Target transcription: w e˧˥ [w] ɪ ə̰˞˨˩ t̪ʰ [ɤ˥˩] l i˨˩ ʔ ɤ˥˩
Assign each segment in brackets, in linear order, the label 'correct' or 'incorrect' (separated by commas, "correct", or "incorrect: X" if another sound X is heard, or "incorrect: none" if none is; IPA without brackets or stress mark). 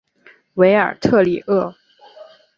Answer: incorrect: none, correct